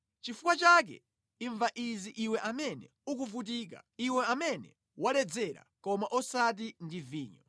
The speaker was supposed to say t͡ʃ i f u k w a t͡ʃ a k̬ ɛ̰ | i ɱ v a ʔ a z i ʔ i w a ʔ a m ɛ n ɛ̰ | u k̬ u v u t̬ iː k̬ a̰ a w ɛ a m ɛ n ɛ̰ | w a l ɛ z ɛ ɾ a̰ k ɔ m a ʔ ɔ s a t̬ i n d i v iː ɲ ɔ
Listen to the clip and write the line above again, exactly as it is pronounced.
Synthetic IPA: t͡ʃ i f u k w a t͡ʃ a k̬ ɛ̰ | i ɱ v a ʔ i z i ʔ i w ɛ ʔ a m ɛ n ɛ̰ | u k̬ u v u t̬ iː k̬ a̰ i w ɛ a m ɛ n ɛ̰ | w a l ɛ d͡z ɛ ɾ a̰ k ɔ m a ʔ ɔ s a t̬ i n d i v iː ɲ ɔ